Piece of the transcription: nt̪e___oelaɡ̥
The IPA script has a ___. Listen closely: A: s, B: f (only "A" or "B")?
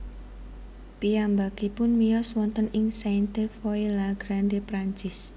B